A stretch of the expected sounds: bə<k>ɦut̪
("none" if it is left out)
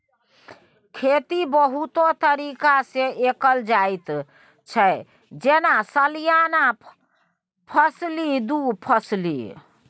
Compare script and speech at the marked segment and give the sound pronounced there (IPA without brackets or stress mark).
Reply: none